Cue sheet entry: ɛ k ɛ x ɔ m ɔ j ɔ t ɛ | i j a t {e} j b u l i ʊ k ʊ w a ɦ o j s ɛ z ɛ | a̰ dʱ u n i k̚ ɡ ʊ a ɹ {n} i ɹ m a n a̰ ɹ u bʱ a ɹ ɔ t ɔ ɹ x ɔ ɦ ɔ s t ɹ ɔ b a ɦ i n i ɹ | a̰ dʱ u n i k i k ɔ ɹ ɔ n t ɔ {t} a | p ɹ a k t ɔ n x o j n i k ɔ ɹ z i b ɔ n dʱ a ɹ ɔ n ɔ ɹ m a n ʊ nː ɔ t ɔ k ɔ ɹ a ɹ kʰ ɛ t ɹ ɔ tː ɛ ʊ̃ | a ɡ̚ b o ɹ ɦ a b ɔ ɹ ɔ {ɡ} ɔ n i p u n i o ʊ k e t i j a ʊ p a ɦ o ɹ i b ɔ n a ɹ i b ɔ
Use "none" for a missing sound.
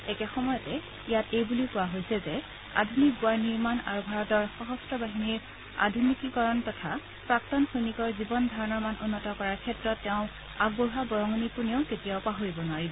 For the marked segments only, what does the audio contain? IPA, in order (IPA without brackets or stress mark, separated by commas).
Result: e, n, tʰ, ŋ